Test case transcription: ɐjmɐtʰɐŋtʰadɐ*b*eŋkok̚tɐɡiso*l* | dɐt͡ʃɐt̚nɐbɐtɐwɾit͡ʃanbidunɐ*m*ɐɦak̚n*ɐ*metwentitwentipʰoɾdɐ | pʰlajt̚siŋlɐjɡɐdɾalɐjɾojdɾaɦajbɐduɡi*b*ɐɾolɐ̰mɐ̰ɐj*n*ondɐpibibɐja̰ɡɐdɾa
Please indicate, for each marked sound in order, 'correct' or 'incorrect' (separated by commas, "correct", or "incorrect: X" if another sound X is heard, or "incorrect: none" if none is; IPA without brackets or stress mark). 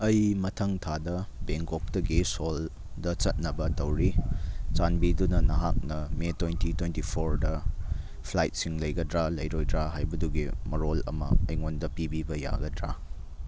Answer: correct, correct, incorrect: n, correct, incorrect: m, incorrect: ŋ